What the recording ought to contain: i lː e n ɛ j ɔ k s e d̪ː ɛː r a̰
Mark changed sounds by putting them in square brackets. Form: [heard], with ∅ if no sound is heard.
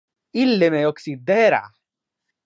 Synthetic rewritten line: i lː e [m] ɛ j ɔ k s [i] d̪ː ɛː [ɾ] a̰

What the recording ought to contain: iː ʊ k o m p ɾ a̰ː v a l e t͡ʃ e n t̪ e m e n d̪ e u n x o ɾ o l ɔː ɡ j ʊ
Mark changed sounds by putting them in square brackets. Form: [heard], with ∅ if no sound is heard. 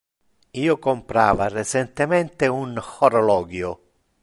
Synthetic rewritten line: iː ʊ k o m p ɾ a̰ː v a [r] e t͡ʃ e n t̪ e m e n [t̪] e u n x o ɾ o l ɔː ɡ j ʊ

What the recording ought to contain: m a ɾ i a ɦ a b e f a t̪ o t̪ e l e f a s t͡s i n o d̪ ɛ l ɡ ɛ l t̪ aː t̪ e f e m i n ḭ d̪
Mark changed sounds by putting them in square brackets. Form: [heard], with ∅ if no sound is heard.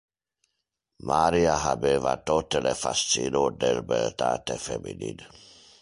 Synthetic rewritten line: m a ɾ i a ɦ a b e [v] a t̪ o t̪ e l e f a s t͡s i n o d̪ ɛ l [b] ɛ l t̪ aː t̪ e f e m i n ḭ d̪

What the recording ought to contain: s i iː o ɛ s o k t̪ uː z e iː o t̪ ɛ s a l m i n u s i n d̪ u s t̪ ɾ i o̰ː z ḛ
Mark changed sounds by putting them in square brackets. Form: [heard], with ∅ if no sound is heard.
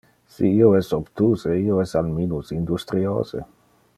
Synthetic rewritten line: s i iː o ɛ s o [p] t̪ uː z e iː o [∅] ɛ s a l m i n u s i n d̪ u s t̪ ɾ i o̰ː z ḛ

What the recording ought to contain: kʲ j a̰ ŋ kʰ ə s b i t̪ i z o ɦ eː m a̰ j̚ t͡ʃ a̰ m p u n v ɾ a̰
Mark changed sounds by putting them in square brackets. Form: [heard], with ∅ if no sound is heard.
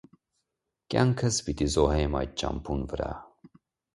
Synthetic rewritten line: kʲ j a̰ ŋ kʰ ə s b i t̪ i z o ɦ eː m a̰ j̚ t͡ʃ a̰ m p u n v ɾ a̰

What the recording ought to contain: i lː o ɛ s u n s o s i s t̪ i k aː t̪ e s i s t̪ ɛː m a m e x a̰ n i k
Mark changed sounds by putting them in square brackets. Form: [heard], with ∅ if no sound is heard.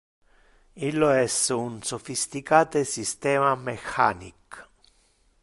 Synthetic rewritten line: i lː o ɛ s u n s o [f] i s t̪ i k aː t̪ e s i s t̪ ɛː m a m e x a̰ n i k

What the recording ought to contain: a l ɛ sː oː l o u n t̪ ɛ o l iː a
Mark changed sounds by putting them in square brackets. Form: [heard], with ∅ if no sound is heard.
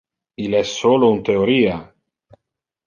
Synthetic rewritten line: [i] l ɛ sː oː l o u n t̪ [e] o [ɾ] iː a

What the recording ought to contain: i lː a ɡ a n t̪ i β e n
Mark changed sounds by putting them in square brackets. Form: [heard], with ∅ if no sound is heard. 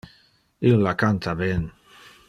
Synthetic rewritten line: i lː a [k] a n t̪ [a] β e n

